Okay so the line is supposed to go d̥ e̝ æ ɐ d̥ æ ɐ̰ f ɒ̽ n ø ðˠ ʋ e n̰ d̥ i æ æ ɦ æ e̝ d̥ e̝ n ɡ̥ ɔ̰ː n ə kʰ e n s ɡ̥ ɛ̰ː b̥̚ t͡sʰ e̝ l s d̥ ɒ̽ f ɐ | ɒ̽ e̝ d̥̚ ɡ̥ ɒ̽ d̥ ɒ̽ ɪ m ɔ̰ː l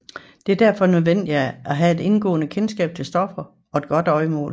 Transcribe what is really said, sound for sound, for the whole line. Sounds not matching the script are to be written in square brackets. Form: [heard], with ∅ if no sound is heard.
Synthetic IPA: d̥ e̝ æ ɐ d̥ æ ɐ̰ f ɒ̽ n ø ðˠ ʋ e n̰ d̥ i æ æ ɦ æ e̝ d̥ e̝ n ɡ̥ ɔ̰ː n ə kʰ e n s ɡ̥ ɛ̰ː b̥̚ t͡sʰ e̝ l s d̥ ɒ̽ f ɐ | ɒ̽ e̝ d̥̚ ɡ̥ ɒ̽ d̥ ɒ̽ ɪ m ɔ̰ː l